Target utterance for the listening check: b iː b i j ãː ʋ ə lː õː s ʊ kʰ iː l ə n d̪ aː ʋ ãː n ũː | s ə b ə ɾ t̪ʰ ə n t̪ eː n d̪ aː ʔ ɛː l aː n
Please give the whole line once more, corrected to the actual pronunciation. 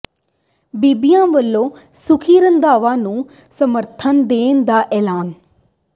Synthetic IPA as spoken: b iː b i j ãː ʋ ə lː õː s ʊ kʰ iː ɾ ə n d̪ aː ʋ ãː n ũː | s ə m ə ɾ t̪ʰ ə n d̪ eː n d̪ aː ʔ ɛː l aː n